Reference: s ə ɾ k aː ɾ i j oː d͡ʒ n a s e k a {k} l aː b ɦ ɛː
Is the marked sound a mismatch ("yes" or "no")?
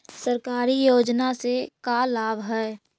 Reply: yes